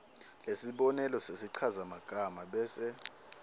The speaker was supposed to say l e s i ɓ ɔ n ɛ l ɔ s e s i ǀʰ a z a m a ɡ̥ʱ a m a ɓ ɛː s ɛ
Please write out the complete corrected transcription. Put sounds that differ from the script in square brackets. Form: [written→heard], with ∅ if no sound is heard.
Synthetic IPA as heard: l e s i ɓ ɔ n ɛ l ɔ s e s i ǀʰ a z a m a ɡ̥ʱ a m a ɓ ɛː s ɛ